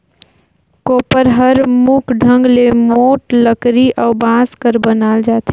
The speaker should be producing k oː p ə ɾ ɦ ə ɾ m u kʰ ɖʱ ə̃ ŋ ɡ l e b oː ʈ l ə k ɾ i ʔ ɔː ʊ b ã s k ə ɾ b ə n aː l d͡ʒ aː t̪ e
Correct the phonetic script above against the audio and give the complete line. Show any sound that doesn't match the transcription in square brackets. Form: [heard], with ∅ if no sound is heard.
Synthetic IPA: k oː p ə ɾ ɦ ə ɾ m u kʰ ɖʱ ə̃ ŋ ɡ l e [m] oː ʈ l ə k ɾ i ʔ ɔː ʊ b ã s k ə ɾ b ə n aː l d͡ʒ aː t̪ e

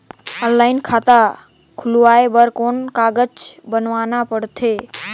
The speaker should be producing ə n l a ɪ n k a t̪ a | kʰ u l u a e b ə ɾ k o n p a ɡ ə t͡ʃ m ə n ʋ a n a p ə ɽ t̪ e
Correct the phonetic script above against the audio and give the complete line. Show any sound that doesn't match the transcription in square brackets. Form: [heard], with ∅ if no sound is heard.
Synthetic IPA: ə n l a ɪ n [kʰ] a t̪ a | kʰ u l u a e b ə ɾ k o n [k] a ɡ ə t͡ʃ [b] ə n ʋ a n a p ə ɽ [t̪ʰ] e

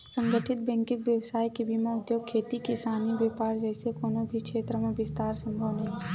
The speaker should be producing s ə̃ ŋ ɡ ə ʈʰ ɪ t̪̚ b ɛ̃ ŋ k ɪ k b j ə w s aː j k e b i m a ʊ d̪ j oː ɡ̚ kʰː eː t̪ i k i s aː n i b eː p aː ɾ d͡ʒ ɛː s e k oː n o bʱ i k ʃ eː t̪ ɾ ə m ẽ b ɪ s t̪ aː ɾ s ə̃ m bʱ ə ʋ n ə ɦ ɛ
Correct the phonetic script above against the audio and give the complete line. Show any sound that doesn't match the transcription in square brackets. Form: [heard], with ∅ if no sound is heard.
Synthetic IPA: s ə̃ ŋ ɡ ə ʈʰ ɪ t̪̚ b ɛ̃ ŋ k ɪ k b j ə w s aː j k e b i m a ʊ d̪ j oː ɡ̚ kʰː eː t̪ i k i s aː n i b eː p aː ɾ d͡ʒ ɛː s e k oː n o bʱ i k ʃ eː t̪ ɾ ə m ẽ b ɪ s t̪ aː ɾ s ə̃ m bʱ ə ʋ n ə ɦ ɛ

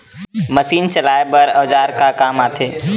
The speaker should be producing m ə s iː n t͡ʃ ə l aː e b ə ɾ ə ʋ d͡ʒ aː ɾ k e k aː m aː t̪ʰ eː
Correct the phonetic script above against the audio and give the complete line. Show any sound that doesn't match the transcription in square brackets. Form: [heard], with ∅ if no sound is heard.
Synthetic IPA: m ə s iː n t͡ʃ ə l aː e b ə ɾ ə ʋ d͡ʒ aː ɾ k [a] k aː m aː t̪ʰ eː

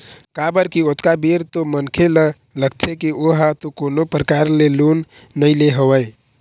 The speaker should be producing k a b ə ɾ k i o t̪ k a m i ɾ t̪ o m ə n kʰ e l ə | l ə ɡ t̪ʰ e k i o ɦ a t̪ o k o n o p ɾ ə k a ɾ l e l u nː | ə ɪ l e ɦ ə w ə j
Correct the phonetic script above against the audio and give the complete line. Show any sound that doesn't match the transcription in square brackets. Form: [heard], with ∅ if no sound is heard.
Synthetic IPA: k a b ə ɾ k i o t̪ k a [b] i ɾ t̪ o m ə n kʰ e l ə | l ə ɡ t̪ʰ e k i o ɦ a t̪ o k o n o p ɾ ə k a ɾ l e l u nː | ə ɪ l e ɦ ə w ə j

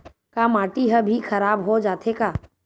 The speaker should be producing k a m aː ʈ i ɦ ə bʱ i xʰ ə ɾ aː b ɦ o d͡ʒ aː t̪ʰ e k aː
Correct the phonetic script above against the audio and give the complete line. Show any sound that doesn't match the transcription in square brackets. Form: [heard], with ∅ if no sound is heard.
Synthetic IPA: k a m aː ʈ i ɦ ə bʱ i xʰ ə ɾ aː b ɦ o d͡ʒ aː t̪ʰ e k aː

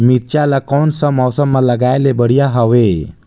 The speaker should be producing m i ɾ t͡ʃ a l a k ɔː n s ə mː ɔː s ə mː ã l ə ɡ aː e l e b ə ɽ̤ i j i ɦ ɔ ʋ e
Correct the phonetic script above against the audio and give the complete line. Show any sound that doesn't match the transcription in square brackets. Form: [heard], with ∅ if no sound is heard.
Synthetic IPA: m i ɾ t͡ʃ a l a k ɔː n s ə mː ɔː s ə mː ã l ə ɡ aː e l e b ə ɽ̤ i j [a] ɦ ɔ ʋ e

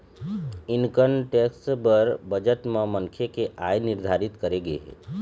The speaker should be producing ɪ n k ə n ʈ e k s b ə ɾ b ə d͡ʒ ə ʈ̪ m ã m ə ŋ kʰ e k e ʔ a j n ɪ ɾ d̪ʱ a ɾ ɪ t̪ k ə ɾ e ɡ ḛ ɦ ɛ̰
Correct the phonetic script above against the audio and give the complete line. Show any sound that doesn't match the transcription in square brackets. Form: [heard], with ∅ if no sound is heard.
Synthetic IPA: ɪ n k ə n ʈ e k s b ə ɾ b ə d͡ʒ ə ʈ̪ m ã m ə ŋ kʰ e k e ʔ a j n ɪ ɾ d̪ʱ a ɾ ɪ t̪ k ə ɾ e ɡ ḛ ɦ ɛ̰

